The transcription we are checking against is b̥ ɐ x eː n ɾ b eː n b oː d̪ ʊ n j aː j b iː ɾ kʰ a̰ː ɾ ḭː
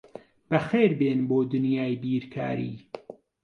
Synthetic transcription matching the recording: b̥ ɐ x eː ɾ b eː n b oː d̪ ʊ n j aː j b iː ɾ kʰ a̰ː ɾ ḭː